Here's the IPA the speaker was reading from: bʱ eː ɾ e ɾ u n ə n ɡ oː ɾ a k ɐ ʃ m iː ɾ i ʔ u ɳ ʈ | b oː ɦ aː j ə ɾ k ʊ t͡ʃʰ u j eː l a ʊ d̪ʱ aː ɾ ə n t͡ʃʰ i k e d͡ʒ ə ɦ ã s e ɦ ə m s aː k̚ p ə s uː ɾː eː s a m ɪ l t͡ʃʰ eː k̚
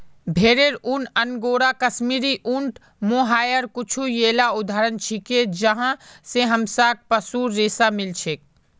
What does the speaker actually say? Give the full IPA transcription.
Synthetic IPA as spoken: bʱ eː ɾ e ɾ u n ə n ɡ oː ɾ a k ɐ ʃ m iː ɾ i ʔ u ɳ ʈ | m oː ɦ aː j ə ɾ k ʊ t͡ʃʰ u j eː l a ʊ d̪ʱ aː ɾ ə n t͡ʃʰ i k e d͡ʒ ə ɦ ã s e ɦ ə m s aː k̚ p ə s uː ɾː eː s a m ɪ l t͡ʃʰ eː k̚